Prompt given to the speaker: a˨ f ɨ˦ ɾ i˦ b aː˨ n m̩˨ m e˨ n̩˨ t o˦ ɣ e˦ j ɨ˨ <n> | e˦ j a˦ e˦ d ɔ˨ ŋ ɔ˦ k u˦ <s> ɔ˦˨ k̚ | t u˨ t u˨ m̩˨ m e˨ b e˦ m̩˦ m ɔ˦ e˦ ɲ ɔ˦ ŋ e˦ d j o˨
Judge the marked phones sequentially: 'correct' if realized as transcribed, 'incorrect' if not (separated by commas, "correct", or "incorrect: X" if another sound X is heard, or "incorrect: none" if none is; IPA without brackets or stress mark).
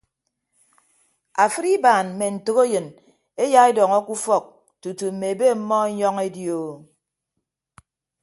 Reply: correct, incorrect: f